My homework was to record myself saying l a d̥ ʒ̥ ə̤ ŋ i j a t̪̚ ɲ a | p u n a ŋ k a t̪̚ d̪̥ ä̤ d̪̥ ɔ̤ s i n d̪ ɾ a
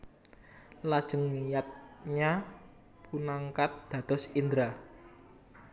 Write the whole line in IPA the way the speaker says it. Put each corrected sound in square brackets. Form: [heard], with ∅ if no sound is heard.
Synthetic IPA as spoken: l a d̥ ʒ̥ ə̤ ŋ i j a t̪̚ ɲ a | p u n a ŋ k a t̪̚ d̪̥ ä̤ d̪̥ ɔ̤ s i n d̪ ɾ a